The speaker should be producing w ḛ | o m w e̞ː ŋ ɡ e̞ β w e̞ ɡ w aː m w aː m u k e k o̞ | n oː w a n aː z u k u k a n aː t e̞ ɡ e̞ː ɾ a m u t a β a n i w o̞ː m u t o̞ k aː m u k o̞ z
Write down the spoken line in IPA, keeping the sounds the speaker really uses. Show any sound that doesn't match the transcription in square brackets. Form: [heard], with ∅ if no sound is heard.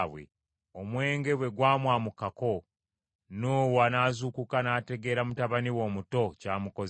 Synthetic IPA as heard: w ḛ | o m w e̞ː ŋ ɡ e̞ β w e̞ ɡ w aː m w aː m u k [a] k o̞ | n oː w a n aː z u k u k a n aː t e̞ ɡ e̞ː ɾ a m u t a β a n i w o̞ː m u t o̞ [c] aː m u k o̞ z